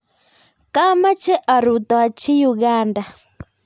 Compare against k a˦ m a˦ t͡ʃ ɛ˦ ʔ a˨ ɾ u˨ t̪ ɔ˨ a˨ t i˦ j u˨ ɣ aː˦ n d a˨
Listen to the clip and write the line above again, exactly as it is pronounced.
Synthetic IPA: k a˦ m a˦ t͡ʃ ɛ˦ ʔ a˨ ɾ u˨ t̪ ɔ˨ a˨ t͡ʃ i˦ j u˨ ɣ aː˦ n d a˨